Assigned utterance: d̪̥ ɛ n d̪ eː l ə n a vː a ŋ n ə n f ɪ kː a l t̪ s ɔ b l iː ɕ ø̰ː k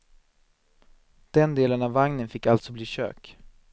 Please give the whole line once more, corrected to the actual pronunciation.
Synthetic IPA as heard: d̪̥ ɛ n d̪ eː l ə n a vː a ŋ n ə n f ɪ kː a l t̪ s ɔ b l iː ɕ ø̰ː k

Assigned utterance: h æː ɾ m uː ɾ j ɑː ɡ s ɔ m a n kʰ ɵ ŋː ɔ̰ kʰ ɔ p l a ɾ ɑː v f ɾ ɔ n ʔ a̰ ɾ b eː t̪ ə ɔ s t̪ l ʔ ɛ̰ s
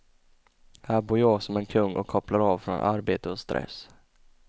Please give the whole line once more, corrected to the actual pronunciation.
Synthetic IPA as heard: h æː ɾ b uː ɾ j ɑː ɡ s ɔ m ɛ n kʰ ɵ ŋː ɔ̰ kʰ ɔ p l a ɾ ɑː v f ɾ ɔ n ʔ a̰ ɾ b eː t̪ ə ɔ s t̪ ɾ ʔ ɛ̰ s

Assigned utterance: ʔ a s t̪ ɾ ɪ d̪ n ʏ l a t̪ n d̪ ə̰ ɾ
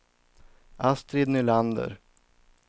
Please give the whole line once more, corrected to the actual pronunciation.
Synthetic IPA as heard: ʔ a s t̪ ɾ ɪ d̪ n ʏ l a n d̪ ə̰ ɾ

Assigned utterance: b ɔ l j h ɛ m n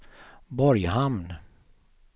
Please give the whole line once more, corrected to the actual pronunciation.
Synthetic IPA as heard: b ɔ ɾ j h a m n

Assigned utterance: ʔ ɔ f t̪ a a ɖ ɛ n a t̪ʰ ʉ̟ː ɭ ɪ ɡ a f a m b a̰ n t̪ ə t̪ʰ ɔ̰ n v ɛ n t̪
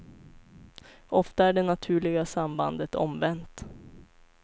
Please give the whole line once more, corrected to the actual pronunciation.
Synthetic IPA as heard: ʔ ɔ f t̪ a æ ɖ ɛ n a t̪ʰ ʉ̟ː ɭ ɪ ɡ a s a m b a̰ n d̪ ə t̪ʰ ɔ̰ m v ɛ n t̪

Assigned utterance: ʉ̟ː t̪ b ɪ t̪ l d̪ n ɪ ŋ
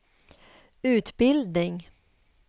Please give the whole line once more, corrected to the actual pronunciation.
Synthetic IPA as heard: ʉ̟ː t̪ b ɪ l d̪ n ɪ ŋ

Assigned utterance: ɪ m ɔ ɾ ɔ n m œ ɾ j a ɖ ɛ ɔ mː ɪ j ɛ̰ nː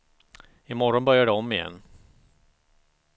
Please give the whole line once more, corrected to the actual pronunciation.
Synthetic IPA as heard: ɪ m ɔ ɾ ɔ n b œ ɾ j a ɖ ɛ ɔ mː ɪ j ɛ̰ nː

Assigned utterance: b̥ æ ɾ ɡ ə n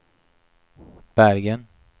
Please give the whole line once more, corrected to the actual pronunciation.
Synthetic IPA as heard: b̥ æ ɾ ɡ ə n

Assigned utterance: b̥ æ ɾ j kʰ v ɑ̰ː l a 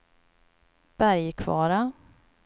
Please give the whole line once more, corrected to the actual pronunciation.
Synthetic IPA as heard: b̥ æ ɾ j kʰ v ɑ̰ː ɾ a

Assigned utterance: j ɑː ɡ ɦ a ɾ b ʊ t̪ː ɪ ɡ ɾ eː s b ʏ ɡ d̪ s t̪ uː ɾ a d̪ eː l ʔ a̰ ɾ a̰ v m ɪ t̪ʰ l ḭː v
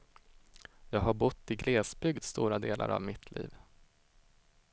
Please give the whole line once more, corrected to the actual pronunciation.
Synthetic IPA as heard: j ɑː ɡ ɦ a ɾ b ʊ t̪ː ɪ ɡ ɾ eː s b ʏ ɡ d̪ s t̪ uː ɾ a d̪ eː l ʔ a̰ ɾ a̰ v m ɪ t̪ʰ l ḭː v

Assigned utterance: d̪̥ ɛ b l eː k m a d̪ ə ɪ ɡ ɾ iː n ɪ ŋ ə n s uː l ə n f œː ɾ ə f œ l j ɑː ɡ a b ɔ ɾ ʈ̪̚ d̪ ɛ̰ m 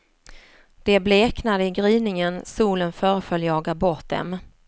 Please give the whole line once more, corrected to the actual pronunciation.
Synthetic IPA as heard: d̪̥ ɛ b l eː k n a d̪ ə ɪ ɡ ɾ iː n ɪ ŋ ə n s uː l ə n f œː ɾ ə f œ l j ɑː ɡ a b ɔ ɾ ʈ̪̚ d̪ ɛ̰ m

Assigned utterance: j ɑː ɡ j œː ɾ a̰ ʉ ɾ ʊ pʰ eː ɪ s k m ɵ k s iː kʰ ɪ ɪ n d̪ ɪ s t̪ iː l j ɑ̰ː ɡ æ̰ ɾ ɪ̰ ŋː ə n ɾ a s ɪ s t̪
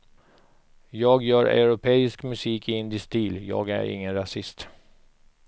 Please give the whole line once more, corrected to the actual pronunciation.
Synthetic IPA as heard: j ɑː ɡ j œː ɾ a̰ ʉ ɾ ʊ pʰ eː ɪ s k m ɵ s iː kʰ ɪ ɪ n d̪ ɪ s t̪ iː l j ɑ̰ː ɡ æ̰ ɾ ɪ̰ ŋː ə n ɾ a s ɪ s t̪

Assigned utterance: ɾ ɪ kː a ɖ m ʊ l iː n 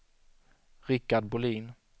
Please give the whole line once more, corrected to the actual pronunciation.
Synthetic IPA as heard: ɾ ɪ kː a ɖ b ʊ l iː n

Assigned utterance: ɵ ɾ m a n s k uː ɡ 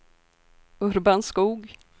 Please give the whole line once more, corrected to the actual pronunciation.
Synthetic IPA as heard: ɵ ɾ b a n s k uː ɡ

